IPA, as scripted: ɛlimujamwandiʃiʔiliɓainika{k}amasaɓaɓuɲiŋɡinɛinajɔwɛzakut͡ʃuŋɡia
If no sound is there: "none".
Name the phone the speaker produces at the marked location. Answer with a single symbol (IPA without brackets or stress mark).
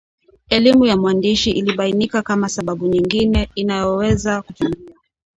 k